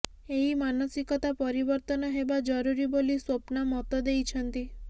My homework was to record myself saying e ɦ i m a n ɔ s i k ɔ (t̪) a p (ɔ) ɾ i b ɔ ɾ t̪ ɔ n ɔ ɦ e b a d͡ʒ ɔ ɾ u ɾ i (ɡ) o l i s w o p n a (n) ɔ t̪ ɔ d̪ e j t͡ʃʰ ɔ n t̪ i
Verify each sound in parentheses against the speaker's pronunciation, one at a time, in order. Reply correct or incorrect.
correct, correct, incorrect, incorrect

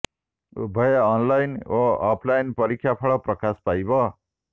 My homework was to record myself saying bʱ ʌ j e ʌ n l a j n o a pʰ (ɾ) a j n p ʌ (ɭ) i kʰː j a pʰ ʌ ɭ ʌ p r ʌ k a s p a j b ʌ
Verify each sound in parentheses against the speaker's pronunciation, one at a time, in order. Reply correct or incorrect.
incorrect, incorrect

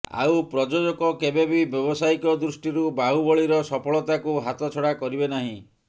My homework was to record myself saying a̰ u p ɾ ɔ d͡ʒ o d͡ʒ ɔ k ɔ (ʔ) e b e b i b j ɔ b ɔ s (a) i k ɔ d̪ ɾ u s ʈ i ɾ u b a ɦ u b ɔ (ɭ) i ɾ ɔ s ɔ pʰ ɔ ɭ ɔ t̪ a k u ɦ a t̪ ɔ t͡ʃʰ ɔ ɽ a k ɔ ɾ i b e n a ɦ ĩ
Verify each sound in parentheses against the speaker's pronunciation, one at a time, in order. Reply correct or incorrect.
incorrect, correct, correct

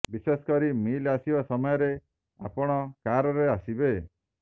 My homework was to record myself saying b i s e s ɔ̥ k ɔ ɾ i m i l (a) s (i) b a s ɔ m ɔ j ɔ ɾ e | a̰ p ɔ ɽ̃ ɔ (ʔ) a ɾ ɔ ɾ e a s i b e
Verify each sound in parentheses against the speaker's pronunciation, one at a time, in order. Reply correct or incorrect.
correct, correct, incorrect

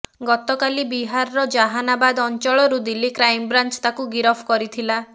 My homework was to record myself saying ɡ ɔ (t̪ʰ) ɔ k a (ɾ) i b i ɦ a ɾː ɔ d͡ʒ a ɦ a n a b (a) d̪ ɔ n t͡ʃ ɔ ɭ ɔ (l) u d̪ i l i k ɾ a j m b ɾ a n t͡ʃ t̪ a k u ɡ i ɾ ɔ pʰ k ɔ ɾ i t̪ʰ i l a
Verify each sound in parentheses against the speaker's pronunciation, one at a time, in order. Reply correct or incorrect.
incorrect, incorrect, correct, incorrect

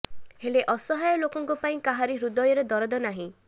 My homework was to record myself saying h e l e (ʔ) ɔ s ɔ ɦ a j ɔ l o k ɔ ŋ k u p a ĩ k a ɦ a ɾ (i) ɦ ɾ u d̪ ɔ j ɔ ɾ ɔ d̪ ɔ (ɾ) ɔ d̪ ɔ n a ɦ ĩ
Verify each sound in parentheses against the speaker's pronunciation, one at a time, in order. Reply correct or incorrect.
correct, correct, correct

